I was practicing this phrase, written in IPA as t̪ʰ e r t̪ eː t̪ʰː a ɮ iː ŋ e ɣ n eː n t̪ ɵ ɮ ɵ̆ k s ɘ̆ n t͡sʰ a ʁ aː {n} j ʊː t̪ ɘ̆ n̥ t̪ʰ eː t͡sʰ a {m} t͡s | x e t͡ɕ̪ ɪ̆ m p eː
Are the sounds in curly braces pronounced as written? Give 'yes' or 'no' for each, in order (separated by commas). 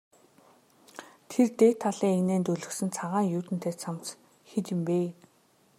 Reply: no, yes